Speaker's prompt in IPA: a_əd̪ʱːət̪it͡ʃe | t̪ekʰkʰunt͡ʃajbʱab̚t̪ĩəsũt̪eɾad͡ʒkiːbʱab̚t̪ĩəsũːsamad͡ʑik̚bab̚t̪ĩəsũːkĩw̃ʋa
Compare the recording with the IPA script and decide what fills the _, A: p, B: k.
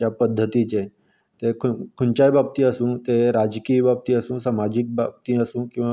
A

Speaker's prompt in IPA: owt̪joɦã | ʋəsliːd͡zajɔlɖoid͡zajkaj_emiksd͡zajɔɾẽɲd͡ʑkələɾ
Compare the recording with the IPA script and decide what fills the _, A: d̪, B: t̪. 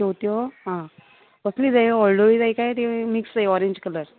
B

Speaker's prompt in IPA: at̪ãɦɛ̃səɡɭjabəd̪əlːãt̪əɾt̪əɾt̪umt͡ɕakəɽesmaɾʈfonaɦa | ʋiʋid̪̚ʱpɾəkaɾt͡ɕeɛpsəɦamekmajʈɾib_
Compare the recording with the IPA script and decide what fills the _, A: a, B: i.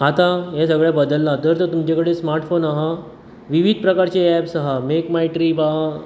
A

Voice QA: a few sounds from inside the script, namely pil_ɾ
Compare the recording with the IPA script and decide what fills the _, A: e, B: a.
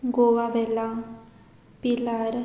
B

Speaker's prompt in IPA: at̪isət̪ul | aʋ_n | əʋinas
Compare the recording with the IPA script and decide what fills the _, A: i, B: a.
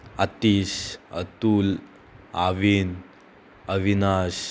A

